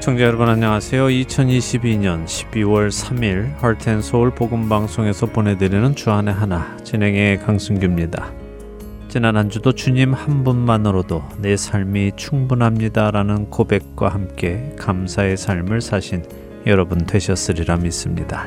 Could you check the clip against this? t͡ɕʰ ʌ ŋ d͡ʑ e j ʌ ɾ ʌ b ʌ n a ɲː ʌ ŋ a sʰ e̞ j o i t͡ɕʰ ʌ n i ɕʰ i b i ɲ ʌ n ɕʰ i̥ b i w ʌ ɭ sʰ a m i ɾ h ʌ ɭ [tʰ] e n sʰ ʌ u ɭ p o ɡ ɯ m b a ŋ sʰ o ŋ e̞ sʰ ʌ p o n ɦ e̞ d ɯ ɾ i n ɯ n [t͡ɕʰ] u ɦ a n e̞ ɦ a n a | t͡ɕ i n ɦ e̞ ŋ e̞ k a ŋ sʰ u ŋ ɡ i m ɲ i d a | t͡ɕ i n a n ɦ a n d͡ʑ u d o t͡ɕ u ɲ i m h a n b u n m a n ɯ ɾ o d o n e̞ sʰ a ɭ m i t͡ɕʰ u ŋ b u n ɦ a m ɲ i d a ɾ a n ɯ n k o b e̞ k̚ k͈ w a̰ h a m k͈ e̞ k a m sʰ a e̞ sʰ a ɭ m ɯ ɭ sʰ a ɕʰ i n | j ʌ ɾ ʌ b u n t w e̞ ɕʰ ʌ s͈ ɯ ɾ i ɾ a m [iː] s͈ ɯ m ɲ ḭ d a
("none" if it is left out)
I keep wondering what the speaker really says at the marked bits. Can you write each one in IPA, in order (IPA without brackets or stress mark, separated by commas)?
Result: tʰ, t͡ɕ, i